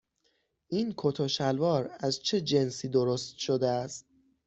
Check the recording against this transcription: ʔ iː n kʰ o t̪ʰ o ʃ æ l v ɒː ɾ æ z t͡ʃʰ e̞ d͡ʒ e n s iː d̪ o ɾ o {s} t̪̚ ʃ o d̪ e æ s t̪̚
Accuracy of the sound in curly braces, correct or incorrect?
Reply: correct